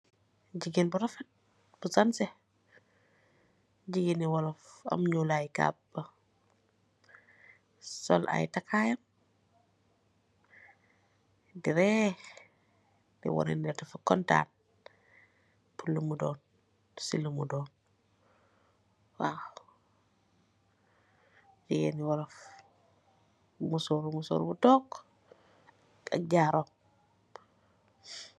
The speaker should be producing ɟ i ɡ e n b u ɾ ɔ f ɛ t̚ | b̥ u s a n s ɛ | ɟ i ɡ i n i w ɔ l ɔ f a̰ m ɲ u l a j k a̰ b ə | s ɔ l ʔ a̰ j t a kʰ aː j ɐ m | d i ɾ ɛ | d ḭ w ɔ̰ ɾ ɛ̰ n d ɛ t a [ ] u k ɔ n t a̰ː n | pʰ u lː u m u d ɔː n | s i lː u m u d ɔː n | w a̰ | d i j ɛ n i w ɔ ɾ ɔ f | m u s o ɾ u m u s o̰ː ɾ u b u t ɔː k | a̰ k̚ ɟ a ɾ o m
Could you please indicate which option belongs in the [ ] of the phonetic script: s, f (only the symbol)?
f